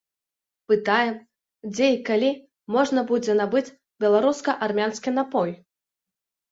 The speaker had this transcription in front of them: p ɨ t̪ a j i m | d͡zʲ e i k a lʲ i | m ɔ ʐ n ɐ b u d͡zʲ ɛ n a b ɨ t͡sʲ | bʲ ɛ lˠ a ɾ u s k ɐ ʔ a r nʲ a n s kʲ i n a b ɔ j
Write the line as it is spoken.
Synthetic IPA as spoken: p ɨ t̪ a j ɛ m | d͡zʲ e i k a lʲ i | m ɔ ʐ n ɐ b u d͡zʲ ɛ n a b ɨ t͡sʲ | bʲ ɛ lˠ a ɾ u s k ɐ ʔ a r mʲ a n s kʲ i n a p ɔ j